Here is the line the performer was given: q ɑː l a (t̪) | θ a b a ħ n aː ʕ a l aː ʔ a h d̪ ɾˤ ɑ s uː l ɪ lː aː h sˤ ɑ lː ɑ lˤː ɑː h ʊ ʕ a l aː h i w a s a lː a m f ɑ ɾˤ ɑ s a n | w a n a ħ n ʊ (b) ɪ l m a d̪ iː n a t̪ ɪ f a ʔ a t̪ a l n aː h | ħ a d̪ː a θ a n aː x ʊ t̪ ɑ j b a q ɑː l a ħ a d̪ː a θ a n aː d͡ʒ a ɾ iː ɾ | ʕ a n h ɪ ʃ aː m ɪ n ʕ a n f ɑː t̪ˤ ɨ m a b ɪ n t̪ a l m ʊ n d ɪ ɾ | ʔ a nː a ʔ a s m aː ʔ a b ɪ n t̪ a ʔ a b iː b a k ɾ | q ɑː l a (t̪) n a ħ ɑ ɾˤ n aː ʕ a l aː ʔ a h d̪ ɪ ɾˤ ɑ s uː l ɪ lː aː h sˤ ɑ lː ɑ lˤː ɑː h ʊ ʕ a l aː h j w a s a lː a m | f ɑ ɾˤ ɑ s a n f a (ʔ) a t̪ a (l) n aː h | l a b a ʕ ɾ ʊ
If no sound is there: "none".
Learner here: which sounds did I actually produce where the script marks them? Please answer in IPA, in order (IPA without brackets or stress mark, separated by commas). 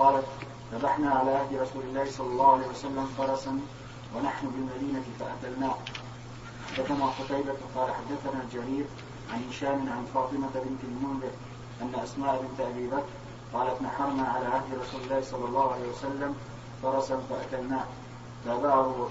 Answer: t̪, b, t̪, ʔ, l